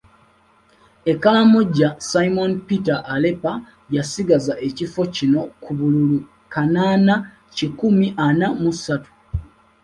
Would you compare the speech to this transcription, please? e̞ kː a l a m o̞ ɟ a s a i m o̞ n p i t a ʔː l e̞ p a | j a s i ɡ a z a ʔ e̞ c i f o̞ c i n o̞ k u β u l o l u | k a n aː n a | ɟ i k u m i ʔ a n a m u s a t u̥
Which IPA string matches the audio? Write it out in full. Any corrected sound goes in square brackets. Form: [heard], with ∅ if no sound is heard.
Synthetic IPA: e̞ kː a l a m o̞ ɟ a s a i m o̞ n p i t a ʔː l e̞ p a | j a s i ɡ a z a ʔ e̞ c i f o̞ c i n o̞ k u β u l [u] l u | k a n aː n a | [c] i k u m i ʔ a n a m u s a t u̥